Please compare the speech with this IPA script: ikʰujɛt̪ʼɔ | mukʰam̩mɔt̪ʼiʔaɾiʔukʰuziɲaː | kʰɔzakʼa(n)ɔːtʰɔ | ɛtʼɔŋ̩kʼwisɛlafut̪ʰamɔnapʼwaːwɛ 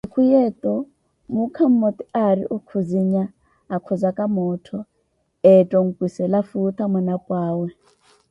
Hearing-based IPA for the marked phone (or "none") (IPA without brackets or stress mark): m